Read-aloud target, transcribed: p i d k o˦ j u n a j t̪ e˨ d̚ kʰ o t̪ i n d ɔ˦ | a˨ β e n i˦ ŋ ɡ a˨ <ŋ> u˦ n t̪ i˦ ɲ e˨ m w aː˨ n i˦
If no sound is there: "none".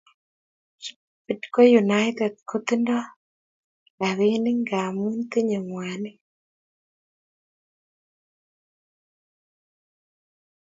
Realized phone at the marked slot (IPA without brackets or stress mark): m